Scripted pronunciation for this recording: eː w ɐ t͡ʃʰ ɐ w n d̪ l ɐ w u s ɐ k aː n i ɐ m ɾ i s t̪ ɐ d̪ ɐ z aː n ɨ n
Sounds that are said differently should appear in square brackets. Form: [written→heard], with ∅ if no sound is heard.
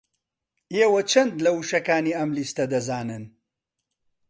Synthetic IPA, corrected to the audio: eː w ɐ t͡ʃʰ ɐ [w→∅] n d̪ l ɐ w u [s→ʃ] ɐ k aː n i ɐ m [ɾ→l] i s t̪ ɐ d̪ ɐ z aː n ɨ n